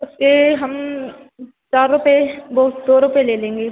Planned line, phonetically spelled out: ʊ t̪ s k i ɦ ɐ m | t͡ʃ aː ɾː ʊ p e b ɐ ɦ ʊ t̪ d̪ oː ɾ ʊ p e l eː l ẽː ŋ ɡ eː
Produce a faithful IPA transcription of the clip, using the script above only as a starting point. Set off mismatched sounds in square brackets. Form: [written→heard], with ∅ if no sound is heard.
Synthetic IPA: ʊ [t̪→∅] s k [i→e] ɦ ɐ m | t͡ʃ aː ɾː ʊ p e b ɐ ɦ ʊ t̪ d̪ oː ɾ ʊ p e l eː l ẽː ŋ ɡ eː